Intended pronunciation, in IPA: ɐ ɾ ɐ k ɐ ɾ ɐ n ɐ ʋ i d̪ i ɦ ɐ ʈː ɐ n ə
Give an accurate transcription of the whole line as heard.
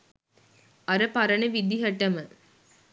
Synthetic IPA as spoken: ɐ ɾ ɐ p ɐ ɾ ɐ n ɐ ʋ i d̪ i ɦ ɐ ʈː ɐ m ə